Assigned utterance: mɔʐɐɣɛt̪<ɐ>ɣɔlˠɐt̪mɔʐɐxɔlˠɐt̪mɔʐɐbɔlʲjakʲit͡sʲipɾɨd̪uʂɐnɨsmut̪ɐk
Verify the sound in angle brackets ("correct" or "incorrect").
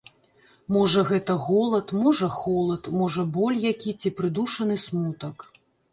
correct